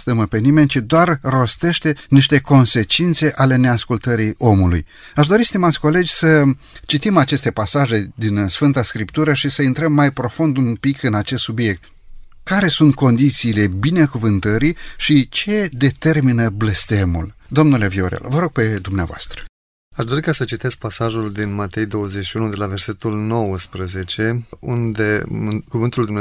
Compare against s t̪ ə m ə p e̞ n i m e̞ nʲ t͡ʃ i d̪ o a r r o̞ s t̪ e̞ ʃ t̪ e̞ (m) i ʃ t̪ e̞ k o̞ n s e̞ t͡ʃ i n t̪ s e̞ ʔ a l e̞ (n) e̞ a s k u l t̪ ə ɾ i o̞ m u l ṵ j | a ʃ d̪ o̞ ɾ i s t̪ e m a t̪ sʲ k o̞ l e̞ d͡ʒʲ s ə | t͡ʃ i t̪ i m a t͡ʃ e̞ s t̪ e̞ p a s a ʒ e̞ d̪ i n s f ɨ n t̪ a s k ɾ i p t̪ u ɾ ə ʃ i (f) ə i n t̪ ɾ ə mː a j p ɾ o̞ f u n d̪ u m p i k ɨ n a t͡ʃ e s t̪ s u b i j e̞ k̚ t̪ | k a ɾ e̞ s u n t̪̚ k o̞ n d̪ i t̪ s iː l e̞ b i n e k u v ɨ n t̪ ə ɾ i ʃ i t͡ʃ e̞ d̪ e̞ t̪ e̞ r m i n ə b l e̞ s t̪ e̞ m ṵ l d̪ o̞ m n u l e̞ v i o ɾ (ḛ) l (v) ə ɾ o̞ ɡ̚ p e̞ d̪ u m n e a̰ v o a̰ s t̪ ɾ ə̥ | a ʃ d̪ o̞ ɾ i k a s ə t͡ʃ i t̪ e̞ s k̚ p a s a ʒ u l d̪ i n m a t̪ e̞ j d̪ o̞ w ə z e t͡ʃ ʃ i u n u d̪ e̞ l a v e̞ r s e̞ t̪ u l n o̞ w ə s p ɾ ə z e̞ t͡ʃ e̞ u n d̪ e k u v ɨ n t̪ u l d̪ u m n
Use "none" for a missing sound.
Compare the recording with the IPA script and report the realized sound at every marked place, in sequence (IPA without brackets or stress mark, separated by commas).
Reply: n, n, s, ḛ, v